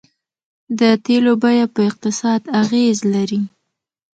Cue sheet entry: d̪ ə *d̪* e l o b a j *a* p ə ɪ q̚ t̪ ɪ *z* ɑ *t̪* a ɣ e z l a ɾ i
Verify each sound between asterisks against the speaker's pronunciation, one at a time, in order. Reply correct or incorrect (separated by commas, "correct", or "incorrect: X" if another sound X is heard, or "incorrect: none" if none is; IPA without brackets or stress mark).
incorrect: t̪, correct, incorrect: s, incorrect: d̪